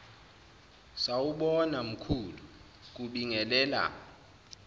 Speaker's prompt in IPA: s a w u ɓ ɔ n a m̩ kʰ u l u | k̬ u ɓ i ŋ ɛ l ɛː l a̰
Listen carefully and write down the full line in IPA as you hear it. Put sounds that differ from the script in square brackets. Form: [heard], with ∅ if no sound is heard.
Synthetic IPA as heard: s a w u ɓ ɔ n a m̩ kʰ u l u | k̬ u ɓ i ŋ ɛ l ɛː l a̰